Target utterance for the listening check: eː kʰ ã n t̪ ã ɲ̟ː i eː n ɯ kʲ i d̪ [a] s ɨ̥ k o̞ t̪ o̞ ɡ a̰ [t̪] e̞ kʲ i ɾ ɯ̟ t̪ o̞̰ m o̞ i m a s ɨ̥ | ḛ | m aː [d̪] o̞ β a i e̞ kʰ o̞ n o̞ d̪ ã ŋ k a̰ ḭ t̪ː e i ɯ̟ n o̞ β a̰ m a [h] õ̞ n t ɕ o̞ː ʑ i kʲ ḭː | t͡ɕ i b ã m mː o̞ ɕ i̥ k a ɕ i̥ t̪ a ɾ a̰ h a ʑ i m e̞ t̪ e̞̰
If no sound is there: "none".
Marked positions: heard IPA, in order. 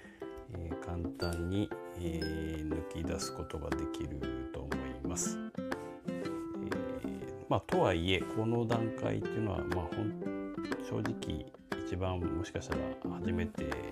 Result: a, d̪, t̪, h

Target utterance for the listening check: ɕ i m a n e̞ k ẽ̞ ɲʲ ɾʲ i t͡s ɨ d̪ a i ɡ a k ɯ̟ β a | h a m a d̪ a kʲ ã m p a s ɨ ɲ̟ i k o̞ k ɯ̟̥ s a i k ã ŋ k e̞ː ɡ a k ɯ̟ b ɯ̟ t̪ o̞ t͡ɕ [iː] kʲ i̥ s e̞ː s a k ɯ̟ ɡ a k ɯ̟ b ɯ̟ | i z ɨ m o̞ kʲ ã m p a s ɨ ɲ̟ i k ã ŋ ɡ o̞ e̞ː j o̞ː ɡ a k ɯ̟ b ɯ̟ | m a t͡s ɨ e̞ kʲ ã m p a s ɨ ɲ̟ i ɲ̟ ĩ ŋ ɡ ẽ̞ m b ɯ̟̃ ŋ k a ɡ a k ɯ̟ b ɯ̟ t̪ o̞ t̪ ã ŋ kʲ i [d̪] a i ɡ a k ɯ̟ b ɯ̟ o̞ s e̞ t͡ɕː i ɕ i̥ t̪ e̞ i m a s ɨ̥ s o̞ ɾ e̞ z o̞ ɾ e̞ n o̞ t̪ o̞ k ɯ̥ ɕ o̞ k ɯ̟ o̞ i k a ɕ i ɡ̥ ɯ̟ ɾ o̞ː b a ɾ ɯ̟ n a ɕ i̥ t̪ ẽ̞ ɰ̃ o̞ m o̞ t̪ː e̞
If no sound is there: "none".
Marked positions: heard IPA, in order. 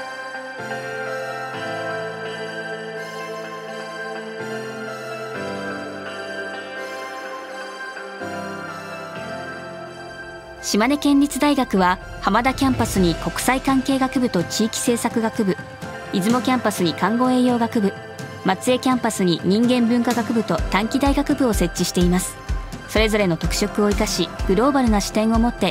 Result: iː, d̪

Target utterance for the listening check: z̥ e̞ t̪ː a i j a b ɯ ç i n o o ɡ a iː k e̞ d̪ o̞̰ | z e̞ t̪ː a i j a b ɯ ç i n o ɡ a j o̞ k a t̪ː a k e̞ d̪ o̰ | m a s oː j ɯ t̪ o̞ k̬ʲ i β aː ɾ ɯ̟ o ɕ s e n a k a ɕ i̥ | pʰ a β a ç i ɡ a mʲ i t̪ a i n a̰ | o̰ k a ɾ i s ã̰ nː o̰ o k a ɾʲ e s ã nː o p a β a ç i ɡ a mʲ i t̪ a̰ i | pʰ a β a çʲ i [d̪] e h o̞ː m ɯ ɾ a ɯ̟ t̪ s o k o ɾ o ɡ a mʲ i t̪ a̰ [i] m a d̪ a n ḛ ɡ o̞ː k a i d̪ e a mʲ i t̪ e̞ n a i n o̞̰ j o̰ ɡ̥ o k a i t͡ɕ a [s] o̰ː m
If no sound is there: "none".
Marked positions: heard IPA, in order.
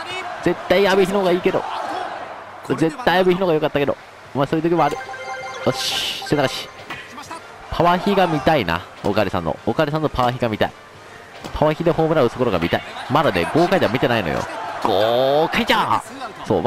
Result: d̪, i, s

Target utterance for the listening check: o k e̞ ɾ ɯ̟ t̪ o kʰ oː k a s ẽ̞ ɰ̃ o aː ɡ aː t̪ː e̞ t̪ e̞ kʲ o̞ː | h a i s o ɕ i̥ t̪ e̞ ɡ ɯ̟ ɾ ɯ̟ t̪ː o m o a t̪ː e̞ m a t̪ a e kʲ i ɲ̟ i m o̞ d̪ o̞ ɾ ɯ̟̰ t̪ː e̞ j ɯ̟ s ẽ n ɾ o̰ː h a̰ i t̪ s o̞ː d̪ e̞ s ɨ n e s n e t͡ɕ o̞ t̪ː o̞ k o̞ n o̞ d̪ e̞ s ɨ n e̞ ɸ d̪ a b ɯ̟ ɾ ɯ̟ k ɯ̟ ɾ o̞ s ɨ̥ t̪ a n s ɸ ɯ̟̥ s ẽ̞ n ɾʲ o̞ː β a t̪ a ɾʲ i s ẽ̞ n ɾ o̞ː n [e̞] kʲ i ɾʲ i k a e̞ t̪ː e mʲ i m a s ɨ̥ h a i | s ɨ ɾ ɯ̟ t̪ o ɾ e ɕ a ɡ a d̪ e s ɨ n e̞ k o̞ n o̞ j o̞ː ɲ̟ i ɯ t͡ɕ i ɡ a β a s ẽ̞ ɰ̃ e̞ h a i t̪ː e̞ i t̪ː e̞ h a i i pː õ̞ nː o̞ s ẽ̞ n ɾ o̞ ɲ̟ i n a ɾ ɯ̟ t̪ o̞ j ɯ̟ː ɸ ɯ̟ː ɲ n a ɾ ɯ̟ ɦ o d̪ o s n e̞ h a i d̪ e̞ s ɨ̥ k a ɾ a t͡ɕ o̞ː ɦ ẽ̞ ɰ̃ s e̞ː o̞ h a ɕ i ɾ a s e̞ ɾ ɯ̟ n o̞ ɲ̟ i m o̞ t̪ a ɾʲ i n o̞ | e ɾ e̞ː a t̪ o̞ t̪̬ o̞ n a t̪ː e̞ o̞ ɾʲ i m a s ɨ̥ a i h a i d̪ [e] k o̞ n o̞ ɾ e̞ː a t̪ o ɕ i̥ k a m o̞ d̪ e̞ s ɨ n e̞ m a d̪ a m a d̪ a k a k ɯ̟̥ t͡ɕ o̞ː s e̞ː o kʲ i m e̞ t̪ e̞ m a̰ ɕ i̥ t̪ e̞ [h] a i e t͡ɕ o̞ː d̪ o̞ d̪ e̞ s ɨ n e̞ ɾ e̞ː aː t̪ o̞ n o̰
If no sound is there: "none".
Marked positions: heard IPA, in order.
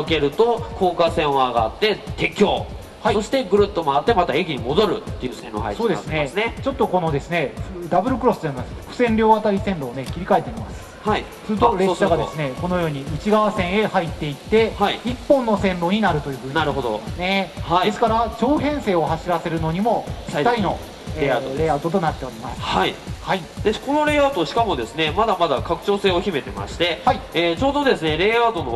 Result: e̞, e, h

